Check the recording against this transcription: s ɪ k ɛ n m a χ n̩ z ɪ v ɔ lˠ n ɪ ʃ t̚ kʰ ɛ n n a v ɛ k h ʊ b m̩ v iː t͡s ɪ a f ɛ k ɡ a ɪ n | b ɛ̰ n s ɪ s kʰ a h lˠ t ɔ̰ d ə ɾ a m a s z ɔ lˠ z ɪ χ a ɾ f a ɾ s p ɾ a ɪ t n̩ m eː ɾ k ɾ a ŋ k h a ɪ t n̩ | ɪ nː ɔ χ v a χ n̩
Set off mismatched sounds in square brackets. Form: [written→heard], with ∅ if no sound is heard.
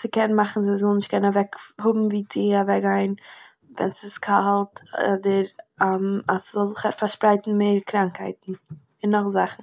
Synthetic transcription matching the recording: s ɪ k ɛ n m a χ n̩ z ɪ [v→z] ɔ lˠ n ɪ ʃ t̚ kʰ ɛ n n a v ɛ k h ʊ b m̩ v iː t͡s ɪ a [f→v] ɛ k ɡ a ɪ n | [b→v] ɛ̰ n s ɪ s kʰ a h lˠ t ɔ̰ d ə ɾ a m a s z ɔ lˠ z ɪ χ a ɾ f a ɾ [s→ʃ] p ɾ a ɪ t n̩ m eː ɾ k ɾ a ŋ k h a ɪ t n̩ | ɪ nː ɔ χ [v→z] a χ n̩